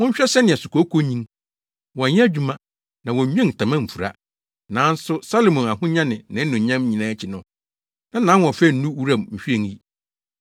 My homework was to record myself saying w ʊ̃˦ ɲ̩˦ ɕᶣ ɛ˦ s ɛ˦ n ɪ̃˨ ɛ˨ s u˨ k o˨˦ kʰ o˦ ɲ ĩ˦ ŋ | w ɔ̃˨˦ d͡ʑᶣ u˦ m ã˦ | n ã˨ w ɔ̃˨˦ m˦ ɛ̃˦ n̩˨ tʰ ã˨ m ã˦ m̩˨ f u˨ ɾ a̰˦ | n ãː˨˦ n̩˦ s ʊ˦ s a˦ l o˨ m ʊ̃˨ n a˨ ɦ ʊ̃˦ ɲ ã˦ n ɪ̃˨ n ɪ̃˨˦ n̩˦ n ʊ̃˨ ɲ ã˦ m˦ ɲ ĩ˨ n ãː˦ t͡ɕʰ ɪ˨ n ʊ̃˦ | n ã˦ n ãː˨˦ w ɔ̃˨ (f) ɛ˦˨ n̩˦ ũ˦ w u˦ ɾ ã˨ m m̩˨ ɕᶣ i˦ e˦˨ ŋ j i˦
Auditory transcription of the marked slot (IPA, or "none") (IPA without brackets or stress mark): f